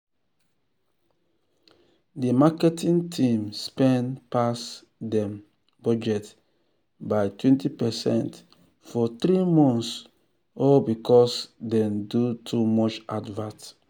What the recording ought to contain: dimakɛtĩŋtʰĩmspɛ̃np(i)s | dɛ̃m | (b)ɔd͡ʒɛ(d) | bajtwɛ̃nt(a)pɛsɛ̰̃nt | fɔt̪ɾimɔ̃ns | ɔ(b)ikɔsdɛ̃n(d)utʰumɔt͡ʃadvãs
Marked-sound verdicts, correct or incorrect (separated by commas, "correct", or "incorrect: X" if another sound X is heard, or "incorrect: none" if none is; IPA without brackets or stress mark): incorrect: a, correct, incorrect: t, incorrect: i, correct, correct